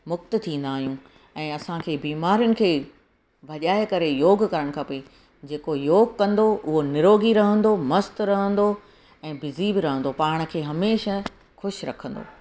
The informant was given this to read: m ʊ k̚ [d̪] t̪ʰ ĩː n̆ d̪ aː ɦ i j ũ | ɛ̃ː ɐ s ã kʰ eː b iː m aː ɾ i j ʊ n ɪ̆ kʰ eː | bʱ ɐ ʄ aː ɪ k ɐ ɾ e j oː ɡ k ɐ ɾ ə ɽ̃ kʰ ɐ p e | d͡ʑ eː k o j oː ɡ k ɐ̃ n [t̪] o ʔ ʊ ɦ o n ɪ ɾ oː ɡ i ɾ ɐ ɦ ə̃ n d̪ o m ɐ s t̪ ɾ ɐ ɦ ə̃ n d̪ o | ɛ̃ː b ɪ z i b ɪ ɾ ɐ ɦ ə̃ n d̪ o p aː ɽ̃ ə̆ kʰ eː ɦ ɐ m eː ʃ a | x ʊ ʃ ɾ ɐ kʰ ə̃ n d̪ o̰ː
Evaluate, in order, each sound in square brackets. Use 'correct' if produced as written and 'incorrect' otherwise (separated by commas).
incorrect, incorrect